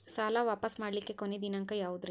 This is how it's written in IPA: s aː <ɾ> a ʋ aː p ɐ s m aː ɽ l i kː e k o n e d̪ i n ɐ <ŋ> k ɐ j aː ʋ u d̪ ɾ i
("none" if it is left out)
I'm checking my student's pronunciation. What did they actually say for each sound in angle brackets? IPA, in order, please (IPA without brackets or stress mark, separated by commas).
l, ŋ